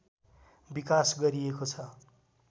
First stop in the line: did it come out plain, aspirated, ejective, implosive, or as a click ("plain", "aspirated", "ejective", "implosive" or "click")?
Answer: plain